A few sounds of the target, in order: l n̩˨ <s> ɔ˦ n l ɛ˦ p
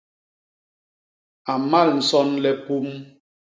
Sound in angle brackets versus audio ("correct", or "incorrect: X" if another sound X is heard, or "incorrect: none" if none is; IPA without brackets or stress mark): correct